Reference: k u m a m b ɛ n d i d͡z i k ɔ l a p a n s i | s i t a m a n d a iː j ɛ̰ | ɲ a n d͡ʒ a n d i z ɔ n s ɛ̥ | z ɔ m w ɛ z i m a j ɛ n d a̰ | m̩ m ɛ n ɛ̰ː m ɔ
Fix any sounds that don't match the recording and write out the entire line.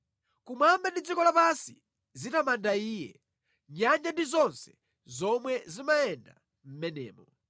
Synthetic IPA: k u m a m b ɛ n d i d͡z i k ɔ l a p a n s i | z i t a m a n d a iː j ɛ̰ | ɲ a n d͡ʒ a n d i z ɔ n s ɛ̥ | z ɔ m w ɛ z i m a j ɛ n d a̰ | m̩ m ɛ n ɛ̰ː m ɔ